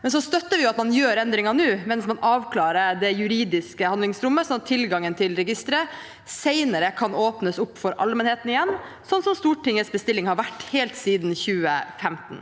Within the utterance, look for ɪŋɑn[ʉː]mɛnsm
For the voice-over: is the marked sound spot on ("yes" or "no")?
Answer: yes